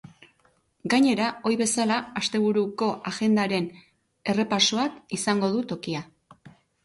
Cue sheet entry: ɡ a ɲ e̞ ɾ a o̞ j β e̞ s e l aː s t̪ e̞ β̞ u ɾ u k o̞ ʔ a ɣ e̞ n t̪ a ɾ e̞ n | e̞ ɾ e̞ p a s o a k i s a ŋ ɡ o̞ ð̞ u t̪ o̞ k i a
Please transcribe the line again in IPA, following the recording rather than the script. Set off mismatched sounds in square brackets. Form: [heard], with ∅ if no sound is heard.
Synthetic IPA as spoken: ɡ a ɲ e̞ ɾ a o̞ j β e̞ s [a] l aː s t̪ e̞ β̞ u ɾ u k o̞ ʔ a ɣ e̞ n [d̪] a ɾ e̞ n | e̞ [r] e̞ p a s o a k i s a ŋ ɡ o̞ ð̞ u t̪ o̞ k i a